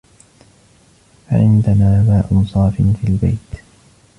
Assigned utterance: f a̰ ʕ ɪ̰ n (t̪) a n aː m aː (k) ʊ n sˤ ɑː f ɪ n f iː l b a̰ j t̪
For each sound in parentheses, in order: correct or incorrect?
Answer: incorrect, incorrect

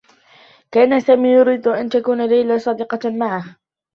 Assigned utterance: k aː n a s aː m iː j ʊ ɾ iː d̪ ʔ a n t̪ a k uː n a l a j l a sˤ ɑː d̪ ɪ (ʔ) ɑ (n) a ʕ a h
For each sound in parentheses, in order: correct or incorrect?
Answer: incorrect, incorrect

